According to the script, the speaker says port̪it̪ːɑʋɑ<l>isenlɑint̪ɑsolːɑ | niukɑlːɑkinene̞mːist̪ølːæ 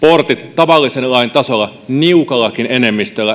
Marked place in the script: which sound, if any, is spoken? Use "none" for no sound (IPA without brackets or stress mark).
lː